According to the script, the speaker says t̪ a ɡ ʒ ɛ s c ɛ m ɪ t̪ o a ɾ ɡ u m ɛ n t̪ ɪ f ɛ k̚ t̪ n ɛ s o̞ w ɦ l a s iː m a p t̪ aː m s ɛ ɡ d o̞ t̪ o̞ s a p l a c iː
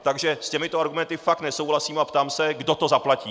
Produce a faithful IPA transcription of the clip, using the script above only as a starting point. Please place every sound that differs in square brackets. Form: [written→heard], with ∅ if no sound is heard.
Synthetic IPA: t̪ a ɡ ʒ ɛ s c ɛ m ɪ t̪ o a ɾ ɡ u m ɛ n t̪ ɪ f [ɛ→a] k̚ t̪ n ɛ s o̞ w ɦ l a s iː m a p t̪ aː m s ɛ ɡ d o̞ t̪ o̞ [s→z] a p l a c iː